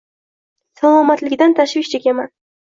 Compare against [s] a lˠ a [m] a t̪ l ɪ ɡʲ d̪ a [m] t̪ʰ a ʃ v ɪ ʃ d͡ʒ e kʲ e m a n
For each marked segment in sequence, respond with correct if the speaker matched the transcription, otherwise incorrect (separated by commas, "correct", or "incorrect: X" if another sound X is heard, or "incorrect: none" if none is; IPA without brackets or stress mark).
correct, correct, incorrect: n